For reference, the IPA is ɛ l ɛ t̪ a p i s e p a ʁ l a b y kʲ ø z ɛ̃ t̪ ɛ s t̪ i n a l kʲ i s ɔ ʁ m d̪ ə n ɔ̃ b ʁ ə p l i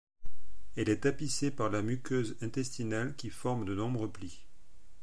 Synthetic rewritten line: ɛ l ɛ t̪ a p i s e p a ʁ l a m y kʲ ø z ɛ̃ t̪ ɛ s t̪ i n a l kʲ i f ɔ ʁ m d̪ ə n ɔ̃ b ʁ ə p l i